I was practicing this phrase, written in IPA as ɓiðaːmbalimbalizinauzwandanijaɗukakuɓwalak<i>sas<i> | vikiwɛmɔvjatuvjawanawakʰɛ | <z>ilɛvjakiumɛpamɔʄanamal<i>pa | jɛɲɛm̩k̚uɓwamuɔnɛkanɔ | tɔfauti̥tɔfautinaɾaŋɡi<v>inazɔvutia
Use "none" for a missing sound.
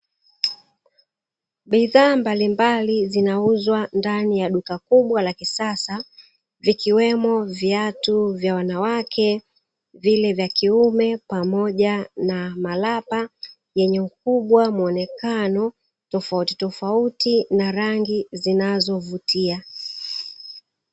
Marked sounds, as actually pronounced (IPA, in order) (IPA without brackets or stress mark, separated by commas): i, a, v, a, z